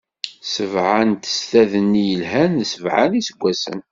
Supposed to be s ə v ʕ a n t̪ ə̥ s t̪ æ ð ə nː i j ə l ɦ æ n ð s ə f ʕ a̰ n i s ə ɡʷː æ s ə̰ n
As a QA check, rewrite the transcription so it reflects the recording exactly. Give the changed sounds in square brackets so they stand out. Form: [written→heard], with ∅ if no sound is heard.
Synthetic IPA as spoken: s ə v ʕ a n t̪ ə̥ s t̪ æ ð ə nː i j ə l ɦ æ n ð s ə [f→v] ʕ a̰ n i s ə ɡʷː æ s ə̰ n